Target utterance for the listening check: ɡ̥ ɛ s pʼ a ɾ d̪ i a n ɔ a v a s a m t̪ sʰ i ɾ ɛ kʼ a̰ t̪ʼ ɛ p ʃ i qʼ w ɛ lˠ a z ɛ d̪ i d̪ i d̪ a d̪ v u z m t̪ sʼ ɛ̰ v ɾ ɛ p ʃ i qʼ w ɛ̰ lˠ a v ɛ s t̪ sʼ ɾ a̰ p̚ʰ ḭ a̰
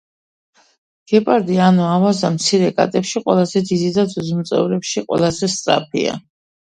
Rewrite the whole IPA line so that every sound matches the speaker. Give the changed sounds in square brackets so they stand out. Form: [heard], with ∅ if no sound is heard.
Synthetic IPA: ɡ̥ ɛ [∅] pʼ a ɾ d̪ i a n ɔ a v a [z] a m t̪ sʰ i ɾ ɛ kʼ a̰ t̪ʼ ɛ p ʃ i qʼ w ɛ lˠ a z ɛ d̪ i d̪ i d̪ a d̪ [z] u z m t̪ sʼ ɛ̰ v ɾ ɛ p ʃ i qʼ w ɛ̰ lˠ a [z] ɛ s t̪ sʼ ɾ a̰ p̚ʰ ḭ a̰